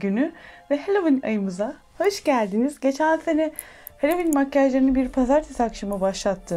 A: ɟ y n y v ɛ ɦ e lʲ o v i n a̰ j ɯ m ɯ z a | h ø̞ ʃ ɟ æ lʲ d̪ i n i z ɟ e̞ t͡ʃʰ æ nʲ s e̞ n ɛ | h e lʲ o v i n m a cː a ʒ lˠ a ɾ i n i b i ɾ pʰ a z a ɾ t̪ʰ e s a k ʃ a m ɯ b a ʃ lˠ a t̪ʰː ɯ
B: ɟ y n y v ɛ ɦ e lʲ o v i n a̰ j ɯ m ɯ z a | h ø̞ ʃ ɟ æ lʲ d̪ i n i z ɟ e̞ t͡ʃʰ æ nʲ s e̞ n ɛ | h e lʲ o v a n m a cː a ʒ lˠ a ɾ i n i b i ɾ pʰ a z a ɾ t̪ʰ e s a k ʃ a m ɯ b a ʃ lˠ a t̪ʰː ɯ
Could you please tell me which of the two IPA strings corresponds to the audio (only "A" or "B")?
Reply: A